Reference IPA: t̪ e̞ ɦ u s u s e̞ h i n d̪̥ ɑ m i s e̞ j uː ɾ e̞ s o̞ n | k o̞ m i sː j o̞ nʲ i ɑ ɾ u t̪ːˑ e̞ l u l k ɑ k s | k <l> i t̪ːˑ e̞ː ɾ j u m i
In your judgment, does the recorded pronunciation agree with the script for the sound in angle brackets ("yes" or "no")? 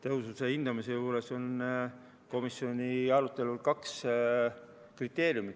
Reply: no